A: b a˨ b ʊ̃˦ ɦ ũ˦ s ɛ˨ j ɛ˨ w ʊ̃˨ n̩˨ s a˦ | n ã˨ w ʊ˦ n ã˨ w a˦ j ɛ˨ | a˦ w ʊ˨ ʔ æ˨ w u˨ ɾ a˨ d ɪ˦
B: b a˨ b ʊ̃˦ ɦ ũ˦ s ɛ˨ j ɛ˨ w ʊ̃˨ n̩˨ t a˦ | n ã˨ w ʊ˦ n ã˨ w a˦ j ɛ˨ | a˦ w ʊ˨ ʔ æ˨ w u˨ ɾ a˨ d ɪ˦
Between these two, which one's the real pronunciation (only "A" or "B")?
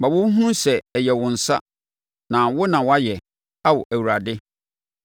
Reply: A